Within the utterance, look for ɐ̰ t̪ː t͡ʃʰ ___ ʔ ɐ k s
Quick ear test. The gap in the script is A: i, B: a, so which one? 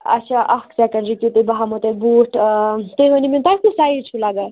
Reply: B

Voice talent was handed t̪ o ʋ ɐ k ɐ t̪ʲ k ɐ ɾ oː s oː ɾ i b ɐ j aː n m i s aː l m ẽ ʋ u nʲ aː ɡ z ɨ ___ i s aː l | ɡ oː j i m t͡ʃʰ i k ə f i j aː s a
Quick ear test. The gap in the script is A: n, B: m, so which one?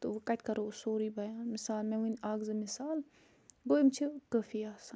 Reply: B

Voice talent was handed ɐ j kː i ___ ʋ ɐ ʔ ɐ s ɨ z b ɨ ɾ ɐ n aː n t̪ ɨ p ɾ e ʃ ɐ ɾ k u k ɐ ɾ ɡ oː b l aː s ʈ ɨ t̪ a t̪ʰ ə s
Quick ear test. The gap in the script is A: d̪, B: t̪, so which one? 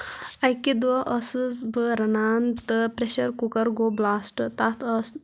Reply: A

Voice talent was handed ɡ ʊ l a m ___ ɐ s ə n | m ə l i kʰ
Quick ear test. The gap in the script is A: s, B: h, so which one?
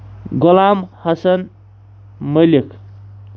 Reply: B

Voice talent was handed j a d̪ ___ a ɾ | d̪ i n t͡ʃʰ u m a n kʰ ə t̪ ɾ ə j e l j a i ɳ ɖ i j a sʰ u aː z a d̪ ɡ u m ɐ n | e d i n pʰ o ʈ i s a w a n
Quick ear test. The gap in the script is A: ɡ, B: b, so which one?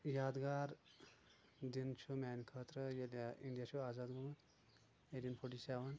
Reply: A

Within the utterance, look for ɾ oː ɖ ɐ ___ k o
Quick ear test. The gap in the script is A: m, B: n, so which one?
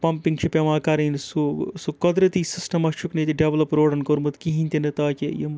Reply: B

